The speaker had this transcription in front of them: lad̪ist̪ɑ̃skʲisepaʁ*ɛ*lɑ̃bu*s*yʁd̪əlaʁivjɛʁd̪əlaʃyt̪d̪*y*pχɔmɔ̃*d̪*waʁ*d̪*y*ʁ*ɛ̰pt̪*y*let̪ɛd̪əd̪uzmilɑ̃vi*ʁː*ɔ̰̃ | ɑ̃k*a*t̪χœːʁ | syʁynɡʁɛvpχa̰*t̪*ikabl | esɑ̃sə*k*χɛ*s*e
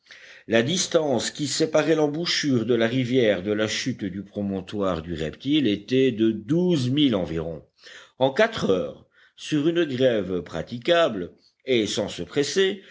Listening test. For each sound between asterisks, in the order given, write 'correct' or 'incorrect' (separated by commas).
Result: correct, incorrect, correct, incorrect, correct, correct, incorrect, incorrect, correct, correct, incorrect, correct